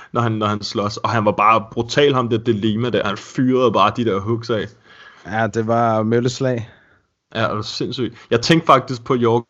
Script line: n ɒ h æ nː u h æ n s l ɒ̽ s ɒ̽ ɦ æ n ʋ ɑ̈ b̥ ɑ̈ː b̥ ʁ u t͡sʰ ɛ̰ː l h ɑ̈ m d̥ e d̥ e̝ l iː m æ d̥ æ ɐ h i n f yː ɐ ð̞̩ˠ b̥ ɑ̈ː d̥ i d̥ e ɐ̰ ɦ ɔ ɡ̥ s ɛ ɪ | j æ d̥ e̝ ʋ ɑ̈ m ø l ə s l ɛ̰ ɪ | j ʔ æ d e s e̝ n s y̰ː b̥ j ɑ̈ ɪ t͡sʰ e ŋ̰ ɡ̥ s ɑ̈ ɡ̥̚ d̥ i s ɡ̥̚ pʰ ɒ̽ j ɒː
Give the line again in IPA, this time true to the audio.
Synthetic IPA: n ɒ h æ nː ɒ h æ n s l ɒ̽ s ɒ̽ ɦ æ n ʋ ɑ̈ b̥ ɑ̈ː b̥ ʁ u t͡sʰ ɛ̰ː l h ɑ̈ m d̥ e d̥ e̝ l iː m æ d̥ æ ɐ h æ n f yː ɐ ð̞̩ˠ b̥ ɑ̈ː d̥ i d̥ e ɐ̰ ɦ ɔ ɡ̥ s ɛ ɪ | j æ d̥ e̝ ʋ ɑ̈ m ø l ə s l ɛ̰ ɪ | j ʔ æ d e s e̝ n s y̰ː d̥ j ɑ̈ ɪ t͡sʰ e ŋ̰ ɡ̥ f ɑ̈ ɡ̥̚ d̥ i s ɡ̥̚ pʰ ɒ̽ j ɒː